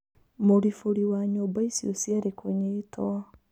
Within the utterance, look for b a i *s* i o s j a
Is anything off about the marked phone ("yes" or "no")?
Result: no